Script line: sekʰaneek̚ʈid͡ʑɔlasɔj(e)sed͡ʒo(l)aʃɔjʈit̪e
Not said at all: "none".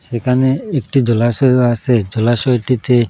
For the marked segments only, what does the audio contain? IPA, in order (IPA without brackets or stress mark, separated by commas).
a, l